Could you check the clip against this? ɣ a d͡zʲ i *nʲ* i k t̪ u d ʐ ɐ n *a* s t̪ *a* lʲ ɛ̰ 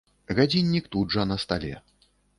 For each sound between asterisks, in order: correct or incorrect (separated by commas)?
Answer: incorrect, incorrect, correct